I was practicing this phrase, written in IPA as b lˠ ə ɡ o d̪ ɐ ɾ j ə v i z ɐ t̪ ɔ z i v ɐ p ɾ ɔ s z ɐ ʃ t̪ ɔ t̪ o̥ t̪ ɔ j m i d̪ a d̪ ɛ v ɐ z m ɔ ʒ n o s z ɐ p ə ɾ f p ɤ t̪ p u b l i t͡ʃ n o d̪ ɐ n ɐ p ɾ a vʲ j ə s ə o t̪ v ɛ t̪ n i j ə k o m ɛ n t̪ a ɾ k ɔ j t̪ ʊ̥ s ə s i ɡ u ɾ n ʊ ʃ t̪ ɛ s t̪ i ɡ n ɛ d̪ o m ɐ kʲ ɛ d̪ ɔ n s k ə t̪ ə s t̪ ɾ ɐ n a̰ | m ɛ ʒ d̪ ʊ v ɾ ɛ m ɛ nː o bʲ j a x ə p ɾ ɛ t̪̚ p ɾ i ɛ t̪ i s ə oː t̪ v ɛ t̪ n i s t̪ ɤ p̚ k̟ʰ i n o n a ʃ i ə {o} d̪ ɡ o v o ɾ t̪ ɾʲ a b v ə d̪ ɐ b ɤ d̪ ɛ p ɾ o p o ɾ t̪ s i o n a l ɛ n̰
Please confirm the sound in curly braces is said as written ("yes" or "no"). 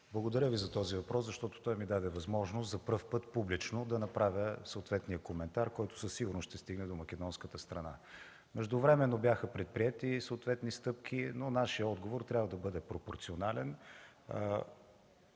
no